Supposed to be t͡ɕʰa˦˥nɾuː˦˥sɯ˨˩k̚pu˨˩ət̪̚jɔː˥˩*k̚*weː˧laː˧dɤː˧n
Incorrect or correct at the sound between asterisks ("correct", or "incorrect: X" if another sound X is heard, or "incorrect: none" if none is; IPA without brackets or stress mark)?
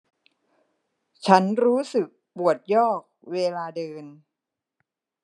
correct